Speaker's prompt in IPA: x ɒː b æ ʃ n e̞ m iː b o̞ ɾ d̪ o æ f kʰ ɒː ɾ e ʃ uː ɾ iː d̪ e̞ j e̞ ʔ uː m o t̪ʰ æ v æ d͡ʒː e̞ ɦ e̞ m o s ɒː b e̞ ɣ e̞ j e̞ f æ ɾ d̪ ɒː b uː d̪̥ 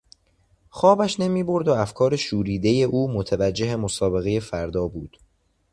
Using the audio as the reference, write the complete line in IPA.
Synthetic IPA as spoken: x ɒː b æ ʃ n e̞ m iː b o̞ ɾ d̪ o æ f kʰ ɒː ɾ e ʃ uː ɾ iː d̪ e̞ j e̞ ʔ uː m o t̪ʰ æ v æ d͡ʒː e̞ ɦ e̞ m o s ɒː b e̞ ɣ e̞ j e̞ f æ ɾ d̪ ɒː b uː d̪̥